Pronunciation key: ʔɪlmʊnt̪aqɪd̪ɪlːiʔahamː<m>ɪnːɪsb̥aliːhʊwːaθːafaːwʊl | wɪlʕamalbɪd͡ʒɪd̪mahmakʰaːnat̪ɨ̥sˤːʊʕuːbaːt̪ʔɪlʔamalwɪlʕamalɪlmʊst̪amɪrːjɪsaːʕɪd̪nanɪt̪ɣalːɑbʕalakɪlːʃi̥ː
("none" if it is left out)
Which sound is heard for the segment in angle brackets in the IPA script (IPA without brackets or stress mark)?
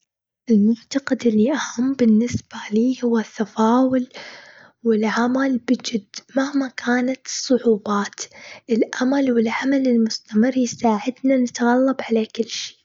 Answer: b